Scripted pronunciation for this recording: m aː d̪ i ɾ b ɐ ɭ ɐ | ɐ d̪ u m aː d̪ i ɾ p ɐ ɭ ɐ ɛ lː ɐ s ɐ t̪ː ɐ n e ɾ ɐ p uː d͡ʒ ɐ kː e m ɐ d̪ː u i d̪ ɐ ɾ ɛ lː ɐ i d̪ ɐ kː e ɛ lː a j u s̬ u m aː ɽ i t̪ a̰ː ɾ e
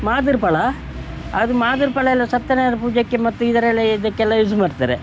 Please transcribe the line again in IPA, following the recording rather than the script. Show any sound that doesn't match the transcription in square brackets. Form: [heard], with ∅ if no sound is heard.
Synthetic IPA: m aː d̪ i ɾ [p] ɐ ɭ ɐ | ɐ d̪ u m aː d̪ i ɾ p ɐ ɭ ɐ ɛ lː ɐ s ɐ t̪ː ɐ n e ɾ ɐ p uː d͡ʒ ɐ kː e m ɐ [t̪ː] u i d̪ ɐ ɾ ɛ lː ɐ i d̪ ɐ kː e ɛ lː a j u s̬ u m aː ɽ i t̪ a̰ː ɾ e